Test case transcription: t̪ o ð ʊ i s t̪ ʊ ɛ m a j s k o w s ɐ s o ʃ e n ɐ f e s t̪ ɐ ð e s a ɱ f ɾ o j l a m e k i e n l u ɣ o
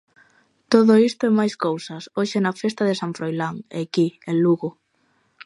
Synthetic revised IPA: t̪ o ð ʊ i s t̪ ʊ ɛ m a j s k o w s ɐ s o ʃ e n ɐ f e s t̪ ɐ ð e s a ɱ f ɾ o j l a ŋ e k i e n l u ɣ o